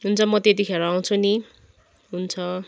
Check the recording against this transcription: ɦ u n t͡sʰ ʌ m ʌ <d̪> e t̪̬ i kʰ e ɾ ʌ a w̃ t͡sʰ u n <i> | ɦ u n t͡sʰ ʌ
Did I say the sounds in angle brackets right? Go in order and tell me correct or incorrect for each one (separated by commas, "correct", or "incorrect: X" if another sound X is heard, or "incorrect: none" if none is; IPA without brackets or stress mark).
incorrect: t̪, correct